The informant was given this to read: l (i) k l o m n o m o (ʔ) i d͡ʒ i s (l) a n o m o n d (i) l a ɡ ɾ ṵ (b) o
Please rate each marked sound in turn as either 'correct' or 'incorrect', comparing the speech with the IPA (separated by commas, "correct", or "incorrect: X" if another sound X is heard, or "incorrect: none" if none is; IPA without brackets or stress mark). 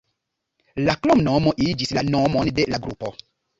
incorrect: a, correct, correct, incorrect: e, incorrect: p